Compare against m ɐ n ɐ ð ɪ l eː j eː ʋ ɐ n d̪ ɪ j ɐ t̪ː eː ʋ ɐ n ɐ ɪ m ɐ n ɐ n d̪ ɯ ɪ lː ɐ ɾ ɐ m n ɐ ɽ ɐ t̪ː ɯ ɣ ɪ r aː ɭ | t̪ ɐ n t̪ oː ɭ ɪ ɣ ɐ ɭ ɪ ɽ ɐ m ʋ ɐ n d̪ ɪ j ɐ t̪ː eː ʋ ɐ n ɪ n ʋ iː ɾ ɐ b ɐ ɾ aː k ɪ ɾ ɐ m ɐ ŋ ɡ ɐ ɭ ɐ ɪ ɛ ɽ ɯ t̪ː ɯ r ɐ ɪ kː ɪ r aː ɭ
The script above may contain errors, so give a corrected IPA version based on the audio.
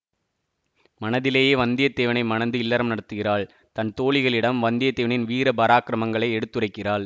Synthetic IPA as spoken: m ɐ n ɐ ð ɪ l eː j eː ʋ ɐ n d̪ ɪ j ɐ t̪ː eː ʋ ɐ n ɐ ɪ m ɐ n ɐ n d̪ ɯ ɪ lː ɐ ɾ ɐ m n ɐ ɽ ɐ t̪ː ɯ ɣ ɪ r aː ɭ | t̪ ɐ n t̪ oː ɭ ɪ ɣ ɐ ɭ ɪ ɽ ɐ m ʋ ɐ n d̪ ɪ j ɐ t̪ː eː ʋ ɐ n ɪ n ʋ iː ɾ ɐ b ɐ ɾ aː k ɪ ɾ ɐ m ɐ ŋ ɡ ɐ ɭ ɐ ɪ ɛ ɽ ɯ t̪ː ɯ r ɐ ɪ kː ɪ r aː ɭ